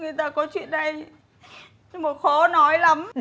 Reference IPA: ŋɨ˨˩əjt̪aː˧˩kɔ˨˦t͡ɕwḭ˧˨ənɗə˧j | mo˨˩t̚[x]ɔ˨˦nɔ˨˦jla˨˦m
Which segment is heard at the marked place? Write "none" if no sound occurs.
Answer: x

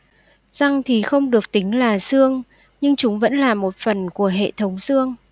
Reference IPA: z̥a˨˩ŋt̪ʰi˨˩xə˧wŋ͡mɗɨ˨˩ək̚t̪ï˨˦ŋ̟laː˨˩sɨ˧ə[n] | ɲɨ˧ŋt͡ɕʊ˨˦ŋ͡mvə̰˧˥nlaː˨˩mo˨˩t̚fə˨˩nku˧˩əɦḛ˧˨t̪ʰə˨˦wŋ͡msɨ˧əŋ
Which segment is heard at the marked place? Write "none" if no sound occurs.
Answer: ŋ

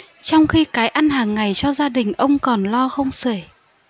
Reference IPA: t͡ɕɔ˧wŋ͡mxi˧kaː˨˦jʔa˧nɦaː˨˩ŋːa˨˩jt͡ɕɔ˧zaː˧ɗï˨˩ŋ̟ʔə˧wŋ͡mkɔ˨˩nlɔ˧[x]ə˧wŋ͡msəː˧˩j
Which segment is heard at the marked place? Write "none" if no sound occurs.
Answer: x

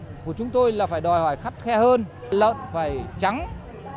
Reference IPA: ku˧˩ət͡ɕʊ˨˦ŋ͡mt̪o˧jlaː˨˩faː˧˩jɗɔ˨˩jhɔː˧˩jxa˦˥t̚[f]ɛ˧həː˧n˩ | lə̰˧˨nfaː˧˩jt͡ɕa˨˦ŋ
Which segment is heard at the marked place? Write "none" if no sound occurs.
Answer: x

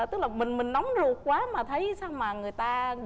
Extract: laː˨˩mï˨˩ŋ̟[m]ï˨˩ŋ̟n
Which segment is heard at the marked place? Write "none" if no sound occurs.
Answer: m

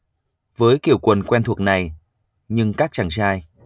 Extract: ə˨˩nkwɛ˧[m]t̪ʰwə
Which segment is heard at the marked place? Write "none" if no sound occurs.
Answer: n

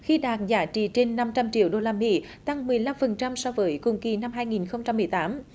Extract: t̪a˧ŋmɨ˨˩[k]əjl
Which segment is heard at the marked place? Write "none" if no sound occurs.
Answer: none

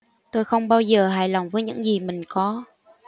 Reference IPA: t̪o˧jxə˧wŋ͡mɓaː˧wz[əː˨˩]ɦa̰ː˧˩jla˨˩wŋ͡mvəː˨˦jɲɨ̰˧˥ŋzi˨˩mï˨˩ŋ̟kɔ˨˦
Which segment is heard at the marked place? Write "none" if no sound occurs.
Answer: əː˨˩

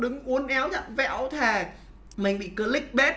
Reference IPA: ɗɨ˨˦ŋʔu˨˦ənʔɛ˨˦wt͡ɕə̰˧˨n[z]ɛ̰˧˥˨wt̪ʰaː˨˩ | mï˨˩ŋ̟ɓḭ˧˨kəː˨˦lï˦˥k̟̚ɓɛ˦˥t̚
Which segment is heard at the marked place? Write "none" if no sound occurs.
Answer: v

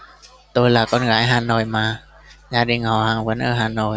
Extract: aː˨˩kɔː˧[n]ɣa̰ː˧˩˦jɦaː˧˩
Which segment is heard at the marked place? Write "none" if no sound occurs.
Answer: n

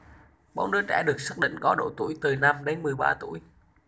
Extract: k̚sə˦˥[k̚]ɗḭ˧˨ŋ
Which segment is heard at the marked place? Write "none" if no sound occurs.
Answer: k̚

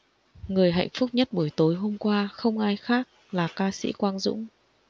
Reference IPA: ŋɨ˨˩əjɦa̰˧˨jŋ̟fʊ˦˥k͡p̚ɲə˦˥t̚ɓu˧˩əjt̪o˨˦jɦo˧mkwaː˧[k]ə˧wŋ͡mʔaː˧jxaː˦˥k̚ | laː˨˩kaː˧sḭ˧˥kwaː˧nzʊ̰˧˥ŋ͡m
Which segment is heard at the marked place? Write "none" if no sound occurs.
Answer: x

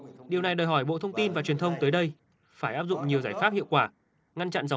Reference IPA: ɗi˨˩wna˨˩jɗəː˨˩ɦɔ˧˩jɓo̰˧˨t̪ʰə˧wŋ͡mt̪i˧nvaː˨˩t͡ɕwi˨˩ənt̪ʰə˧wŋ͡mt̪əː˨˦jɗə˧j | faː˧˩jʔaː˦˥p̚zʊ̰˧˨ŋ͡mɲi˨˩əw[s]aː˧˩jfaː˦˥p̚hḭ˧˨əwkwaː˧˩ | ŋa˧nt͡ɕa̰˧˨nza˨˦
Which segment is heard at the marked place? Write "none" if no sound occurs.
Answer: z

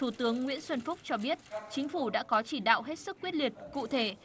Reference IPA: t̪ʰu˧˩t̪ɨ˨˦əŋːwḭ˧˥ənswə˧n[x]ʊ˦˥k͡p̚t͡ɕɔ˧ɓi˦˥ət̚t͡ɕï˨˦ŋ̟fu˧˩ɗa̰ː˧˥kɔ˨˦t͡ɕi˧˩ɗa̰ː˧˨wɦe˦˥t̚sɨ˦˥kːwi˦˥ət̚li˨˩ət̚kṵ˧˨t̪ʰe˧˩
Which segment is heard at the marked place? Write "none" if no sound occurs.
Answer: f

